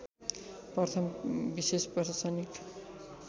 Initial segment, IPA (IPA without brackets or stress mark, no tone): p